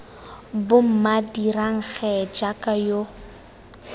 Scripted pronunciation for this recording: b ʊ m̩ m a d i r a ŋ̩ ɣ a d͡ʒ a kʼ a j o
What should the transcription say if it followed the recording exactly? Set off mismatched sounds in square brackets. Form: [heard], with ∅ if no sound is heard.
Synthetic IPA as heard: b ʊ m̩ m a d i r a ŋ̩ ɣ [ɛ] d͡ʒ a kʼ a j o